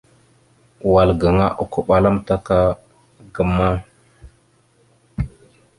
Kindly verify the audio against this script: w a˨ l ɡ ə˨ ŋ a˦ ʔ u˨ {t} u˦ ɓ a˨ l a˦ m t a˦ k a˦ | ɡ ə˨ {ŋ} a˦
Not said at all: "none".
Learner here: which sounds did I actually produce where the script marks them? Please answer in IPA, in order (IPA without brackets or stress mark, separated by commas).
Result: k, m